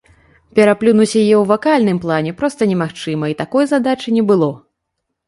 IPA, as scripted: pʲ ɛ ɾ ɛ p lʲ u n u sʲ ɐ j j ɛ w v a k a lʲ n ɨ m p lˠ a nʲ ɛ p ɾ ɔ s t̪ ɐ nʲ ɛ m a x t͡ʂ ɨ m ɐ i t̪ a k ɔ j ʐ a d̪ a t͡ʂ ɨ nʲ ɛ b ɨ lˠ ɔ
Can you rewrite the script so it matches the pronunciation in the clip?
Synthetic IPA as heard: pʲ ɛ ɾ a p lʲ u n u sʲ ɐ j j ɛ w v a k a lʲ n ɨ m p lˠ a nʲ ɛ p ɾ ɔ s t̪ ɐ nʲ ɛ m a x t͡ʂ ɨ m ɐ i t̪ a k ɔ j z a d̪ a t͡ʂ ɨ nʲ ɛ b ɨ lˠ ɔ

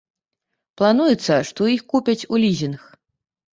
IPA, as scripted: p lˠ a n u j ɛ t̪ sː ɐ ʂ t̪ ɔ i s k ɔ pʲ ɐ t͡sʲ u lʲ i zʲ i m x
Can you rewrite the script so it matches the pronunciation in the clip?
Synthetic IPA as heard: p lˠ a n u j ɛ t̪ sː ɐ ʂ t̪ ɔ i x k u pʲ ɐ t͡sʲ u lʲ i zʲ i n x

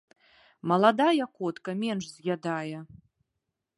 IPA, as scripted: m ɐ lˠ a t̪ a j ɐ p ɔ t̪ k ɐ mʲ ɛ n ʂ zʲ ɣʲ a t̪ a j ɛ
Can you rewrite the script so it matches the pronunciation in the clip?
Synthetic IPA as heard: m ɐ lˠ a d̪ a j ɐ k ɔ t̪ k ɐ mʲ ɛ n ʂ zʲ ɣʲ a d̪ a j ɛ

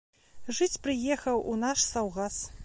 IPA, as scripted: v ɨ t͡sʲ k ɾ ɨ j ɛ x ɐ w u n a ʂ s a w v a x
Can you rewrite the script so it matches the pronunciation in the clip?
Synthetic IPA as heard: ʐ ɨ t͡sʲ p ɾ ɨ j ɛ x ɐ w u n a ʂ s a w ɣ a s

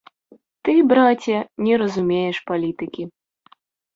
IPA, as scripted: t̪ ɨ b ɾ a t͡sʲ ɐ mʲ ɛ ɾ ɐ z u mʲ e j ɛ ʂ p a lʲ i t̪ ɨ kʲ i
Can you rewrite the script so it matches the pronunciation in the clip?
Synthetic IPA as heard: t̪ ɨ b ɾ a t͡sʲ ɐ nʲ ɛ ɾ ɐ z u mʲ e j ɛ ʂ p a lʲ i t̪ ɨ kʲ i

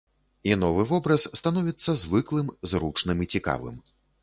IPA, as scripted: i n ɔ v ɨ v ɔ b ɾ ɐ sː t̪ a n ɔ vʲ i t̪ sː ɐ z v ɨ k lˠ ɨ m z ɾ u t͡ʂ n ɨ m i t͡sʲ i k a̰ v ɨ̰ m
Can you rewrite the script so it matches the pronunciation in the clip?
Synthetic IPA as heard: i n ɔ v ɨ v ɔ b ɾ ɐ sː t̪ a n ɔ vʲ i t̪ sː ɐ z v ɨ k lˠ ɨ m z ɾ u t͡ʂ n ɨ m i t͡sʲ i k a̰ v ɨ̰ m

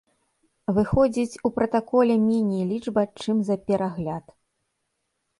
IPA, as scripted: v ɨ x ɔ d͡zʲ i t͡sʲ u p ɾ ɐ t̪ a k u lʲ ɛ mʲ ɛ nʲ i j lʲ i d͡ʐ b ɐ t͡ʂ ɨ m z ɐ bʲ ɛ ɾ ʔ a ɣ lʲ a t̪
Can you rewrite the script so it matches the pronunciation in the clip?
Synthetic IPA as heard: v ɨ x ɔ d͡zʲ i t͡sʲ u p ɾ ɐ t̪ a k ɔ lʲ ɛ mʲ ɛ nʲ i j lʲ i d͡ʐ b ɐ t͡ʂ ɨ m z ɐ pʲ ɛ ɾ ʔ a ɣ lʲ a t̪

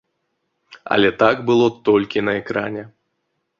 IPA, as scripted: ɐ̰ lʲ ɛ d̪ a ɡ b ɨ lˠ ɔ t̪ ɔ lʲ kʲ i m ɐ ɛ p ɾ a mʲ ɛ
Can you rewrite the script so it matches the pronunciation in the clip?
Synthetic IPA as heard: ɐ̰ lʲ ɛ t̪ a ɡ b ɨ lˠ ɔ t̪ ɔ lʲ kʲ i n ɐ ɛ k ɾ a nʲ ɛ

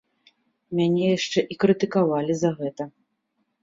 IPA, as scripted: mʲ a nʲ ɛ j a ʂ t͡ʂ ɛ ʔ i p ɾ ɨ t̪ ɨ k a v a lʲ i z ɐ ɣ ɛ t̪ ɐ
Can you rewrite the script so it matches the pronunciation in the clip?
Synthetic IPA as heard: mʲ a nʲ ɛ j a ʂ t͡ʂ ɛ ʔ i k ɾ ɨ t̪ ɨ k a v a lʲ i z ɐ ɣ ɛ t̪ ɐ

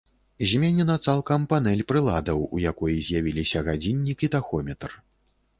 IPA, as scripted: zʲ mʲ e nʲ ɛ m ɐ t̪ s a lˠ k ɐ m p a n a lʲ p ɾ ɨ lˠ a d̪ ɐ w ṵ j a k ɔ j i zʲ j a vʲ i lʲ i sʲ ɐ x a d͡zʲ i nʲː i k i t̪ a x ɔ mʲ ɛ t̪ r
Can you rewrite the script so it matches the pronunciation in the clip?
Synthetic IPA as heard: zʲ mʲ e nʲ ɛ n ɐ t̪ s a lˠ k ɐ m p a n ɛ lʲ p ɾ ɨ lˠ a d̪ ɐ w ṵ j a k ɔ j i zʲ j a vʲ i lʲ i sʲ ɐ ɣ a d͡zʲ i nʲː i k i t̪ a x ɔ mʲ ɛ t̪ r

